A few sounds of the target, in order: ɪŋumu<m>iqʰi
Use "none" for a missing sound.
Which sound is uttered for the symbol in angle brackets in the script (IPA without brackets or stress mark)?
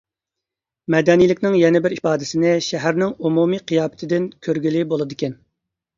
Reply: m